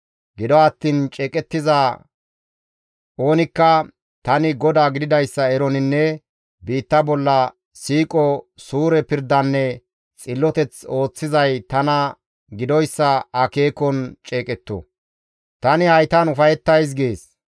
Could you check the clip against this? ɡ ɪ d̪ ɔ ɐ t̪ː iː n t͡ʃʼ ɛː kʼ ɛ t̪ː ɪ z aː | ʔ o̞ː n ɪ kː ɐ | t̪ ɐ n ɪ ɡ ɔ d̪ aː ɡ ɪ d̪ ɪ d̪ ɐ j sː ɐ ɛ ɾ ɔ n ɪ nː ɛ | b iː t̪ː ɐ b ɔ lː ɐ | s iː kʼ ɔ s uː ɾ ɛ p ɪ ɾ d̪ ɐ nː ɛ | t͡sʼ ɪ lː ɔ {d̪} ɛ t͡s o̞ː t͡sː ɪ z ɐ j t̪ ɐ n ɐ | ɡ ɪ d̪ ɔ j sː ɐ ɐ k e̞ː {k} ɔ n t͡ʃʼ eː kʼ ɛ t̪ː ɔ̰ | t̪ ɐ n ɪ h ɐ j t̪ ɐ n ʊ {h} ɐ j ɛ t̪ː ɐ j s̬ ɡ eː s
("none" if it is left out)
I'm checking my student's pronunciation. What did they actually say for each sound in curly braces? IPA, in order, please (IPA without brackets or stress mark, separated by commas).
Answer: t̪, k, f